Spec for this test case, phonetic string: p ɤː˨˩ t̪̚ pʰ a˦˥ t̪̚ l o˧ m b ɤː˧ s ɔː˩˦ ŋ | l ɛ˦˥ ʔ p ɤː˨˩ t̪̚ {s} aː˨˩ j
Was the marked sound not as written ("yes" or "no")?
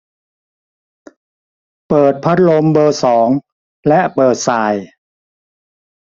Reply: no